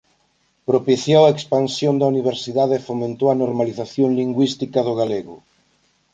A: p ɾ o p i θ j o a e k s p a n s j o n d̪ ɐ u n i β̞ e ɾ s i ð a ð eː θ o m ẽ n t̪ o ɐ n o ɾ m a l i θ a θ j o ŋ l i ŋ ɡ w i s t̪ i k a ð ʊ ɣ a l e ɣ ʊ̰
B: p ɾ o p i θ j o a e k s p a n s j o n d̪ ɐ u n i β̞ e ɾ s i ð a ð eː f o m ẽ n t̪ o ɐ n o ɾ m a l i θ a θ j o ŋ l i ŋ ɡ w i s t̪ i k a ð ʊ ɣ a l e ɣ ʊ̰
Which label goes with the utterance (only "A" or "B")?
B